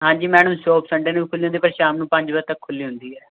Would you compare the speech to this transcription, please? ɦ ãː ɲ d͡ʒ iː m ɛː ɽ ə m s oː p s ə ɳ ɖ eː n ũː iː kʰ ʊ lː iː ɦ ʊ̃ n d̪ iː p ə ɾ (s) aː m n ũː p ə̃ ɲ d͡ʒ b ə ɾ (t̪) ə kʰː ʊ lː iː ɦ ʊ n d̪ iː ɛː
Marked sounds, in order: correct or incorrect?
incorrect: ʃ, correct

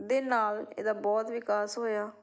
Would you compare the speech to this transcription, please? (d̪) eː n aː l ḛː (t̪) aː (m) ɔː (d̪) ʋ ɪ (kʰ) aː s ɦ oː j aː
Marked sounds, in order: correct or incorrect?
correct, incorrect: d̪, incorrect: b, incorrect: t̪, incorrect: k

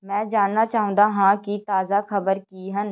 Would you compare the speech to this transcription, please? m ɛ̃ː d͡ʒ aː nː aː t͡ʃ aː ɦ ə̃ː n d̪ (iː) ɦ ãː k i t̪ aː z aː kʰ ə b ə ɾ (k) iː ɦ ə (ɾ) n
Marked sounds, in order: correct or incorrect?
incorrect: aː, correct, incorrect: none

